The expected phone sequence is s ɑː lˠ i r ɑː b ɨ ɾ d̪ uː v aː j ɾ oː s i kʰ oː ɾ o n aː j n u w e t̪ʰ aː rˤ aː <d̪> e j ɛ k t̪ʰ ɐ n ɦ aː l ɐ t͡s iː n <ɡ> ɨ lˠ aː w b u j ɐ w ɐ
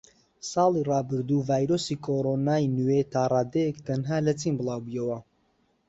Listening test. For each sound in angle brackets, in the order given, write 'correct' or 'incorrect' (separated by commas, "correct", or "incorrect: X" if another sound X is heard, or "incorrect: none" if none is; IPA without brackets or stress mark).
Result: correct, incorrect: b